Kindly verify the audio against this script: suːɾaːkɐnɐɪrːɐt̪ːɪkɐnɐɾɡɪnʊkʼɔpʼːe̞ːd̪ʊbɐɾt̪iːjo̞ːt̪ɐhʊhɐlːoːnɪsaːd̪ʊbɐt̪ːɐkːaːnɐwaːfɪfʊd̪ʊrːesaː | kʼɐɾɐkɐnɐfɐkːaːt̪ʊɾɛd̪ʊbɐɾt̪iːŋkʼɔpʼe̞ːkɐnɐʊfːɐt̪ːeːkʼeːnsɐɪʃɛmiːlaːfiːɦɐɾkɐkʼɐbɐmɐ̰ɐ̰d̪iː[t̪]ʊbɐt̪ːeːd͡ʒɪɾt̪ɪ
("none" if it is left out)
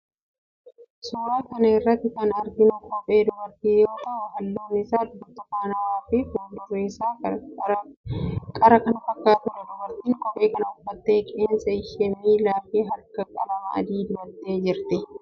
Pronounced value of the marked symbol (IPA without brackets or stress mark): d̪